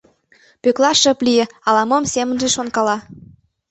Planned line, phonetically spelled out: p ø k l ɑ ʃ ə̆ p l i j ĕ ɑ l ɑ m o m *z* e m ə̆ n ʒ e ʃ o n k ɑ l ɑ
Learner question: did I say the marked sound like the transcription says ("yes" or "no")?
no